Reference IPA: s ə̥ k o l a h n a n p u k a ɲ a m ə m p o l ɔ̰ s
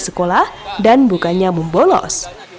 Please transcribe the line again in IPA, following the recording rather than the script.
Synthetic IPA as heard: s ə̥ k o l a h d a n b u k a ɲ a m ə m b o l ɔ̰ s